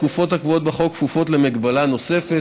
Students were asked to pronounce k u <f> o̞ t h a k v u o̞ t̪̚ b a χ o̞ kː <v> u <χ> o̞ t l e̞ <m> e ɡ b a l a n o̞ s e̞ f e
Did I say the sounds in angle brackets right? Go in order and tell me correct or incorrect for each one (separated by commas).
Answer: correct, incorrect, incorrect, correct